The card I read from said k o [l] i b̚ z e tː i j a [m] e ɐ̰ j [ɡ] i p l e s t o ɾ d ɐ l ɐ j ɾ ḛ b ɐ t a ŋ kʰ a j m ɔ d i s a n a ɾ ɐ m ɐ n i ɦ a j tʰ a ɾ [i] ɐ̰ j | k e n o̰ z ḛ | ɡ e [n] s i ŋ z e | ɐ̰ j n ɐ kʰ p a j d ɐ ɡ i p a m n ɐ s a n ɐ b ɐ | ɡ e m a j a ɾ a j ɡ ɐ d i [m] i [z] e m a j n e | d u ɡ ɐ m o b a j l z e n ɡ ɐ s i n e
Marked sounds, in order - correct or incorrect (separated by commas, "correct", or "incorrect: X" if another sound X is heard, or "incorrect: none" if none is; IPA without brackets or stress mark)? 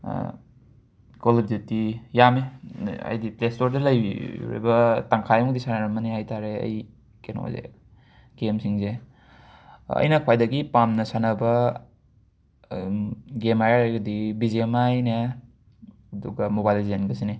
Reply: correct, correct, incorrect: d, incorrect: e, incorrect: m, incorrect: b, correct